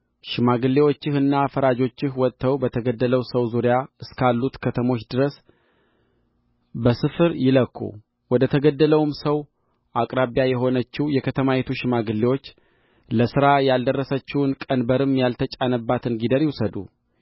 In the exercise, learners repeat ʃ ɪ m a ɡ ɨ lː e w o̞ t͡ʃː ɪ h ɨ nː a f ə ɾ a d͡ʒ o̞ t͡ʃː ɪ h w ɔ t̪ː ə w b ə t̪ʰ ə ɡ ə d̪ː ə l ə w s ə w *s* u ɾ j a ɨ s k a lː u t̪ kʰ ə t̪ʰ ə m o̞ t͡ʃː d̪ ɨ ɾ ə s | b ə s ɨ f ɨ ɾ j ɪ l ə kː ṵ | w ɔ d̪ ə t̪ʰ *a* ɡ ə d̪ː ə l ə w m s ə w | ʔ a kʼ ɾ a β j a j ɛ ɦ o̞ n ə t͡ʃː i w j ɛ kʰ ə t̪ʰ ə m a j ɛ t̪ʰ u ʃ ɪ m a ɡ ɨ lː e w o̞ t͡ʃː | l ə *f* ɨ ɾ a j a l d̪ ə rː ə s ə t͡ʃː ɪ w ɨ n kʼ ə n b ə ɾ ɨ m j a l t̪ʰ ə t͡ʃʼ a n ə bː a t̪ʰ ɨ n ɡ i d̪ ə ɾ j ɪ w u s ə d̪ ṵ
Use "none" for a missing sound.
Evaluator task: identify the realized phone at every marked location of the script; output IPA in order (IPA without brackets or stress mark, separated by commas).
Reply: z, ə, s